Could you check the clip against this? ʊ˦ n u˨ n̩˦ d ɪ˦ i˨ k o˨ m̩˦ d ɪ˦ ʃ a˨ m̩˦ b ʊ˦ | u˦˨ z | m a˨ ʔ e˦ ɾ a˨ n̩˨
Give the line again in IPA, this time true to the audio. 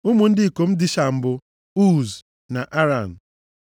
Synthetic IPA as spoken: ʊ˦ m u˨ n̩˦ d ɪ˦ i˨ k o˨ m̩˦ d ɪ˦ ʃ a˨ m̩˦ b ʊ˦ | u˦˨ z | n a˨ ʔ a˦ ɾ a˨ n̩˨